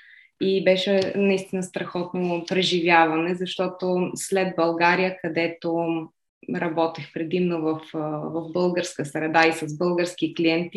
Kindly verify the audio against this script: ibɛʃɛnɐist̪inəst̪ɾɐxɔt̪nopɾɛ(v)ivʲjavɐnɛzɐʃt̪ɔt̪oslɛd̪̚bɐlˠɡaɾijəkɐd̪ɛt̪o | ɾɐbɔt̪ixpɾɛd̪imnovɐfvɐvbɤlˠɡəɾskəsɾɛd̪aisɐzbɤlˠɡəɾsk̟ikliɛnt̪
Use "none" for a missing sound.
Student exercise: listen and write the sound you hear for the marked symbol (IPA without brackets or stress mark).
ʒ